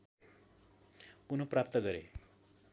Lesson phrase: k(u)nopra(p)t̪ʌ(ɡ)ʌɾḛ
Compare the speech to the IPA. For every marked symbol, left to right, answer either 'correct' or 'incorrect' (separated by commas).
correct, correct, correct